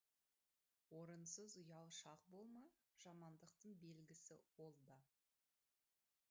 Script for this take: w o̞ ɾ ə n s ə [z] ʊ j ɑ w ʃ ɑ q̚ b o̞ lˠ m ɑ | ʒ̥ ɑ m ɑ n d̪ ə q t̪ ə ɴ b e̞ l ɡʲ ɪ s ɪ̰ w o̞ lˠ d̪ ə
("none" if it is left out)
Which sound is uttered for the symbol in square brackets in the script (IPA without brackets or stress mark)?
z